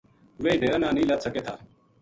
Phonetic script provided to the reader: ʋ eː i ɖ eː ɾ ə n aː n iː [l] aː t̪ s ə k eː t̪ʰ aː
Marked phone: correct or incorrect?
correct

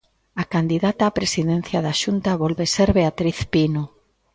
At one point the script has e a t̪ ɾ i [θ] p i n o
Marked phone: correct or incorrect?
correct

